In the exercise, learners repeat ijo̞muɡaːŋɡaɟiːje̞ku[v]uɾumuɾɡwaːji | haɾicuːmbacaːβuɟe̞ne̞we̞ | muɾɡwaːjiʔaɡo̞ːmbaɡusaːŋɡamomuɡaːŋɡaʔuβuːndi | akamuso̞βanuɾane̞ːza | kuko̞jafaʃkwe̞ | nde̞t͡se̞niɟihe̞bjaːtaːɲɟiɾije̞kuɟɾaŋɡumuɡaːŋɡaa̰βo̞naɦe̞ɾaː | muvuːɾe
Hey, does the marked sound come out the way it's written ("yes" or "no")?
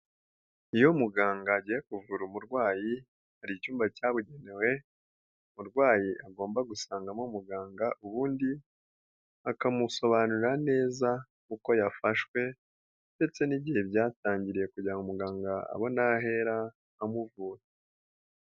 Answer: yes